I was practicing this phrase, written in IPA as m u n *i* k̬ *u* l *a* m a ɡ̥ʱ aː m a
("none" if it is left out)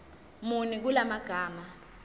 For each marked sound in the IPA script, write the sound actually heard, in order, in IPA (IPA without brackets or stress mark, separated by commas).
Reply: i, u, a